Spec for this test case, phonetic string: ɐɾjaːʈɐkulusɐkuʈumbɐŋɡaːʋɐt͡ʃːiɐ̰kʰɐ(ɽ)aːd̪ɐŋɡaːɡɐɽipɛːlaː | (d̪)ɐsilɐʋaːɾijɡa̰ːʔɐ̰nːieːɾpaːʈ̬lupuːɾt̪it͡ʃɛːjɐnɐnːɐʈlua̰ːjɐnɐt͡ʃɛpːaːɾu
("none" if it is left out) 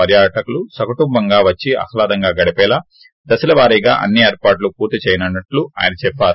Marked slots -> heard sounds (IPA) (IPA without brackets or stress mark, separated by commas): l, d̪